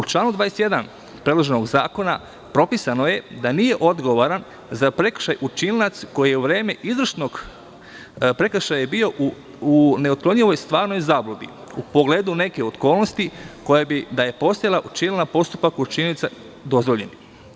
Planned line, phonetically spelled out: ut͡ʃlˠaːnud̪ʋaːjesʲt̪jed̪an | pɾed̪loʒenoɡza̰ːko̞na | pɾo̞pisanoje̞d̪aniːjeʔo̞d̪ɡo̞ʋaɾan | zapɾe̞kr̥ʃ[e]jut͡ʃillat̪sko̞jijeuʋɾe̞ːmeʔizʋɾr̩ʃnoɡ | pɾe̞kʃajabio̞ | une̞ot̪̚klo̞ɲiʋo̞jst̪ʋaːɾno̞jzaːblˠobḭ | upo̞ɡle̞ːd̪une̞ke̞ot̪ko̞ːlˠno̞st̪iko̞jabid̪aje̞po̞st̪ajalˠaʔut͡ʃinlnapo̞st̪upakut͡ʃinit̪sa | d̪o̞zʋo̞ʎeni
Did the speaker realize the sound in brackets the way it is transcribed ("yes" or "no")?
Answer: no